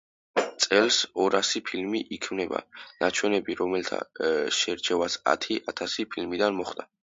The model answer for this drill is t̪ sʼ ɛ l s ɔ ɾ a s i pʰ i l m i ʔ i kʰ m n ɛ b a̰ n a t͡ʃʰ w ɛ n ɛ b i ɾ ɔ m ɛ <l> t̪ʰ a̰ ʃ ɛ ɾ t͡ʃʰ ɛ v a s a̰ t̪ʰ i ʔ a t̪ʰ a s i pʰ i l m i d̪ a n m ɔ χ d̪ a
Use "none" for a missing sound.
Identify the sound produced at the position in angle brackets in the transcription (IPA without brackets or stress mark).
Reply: l